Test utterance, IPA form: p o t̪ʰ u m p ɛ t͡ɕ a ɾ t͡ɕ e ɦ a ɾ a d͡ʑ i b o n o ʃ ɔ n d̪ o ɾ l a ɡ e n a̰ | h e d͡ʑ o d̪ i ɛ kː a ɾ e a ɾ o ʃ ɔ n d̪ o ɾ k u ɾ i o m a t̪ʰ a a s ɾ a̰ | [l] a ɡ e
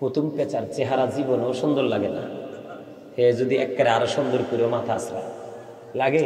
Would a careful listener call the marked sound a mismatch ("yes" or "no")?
no